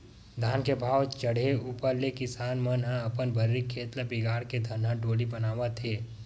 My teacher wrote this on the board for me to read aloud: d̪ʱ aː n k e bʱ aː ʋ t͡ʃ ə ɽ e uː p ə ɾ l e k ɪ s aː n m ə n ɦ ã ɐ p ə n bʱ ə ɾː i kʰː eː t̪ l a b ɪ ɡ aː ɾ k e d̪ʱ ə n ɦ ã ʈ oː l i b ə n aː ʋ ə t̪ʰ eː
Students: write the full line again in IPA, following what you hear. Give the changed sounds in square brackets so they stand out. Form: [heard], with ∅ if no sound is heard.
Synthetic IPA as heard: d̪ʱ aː n k e bʱ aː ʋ t͡ʃ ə ɽ e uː p ə ɾ l e k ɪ s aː n m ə n ɦ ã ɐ p ə n bʱ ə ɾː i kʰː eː t̪ l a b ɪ ɡ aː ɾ k e d̪ʱ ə n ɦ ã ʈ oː l i b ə n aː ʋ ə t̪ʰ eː